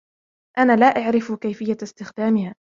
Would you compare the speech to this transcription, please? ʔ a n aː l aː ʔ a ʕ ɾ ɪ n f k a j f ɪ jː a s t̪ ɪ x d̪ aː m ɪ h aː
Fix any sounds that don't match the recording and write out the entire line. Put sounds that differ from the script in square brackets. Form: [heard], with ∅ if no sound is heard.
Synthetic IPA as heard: ʔ a n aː l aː ʔ a ʕ ɾ ɪ [∅] f k a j f ɪ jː a s t̪ ɪ x d̪ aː m ɪ h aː